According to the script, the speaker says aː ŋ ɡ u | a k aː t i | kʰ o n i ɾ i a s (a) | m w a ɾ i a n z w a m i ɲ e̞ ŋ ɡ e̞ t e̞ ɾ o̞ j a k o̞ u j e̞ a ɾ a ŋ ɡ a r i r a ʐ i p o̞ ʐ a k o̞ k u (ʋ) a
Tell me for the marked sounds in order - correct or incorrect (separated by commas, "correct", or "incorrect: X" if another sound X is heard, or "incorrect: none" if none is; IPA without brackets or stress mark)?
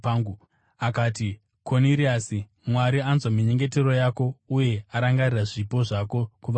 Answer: incorrect: i, correct